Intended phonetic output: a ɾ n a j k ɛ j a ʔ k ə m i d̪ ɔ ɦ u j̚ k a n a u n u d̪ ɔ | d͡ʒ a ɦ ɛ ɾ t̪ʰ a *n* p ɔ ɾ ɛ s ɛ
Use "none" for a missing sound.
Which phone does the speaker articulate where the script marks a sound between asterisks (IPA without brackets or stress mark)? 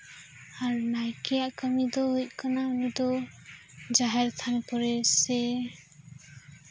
n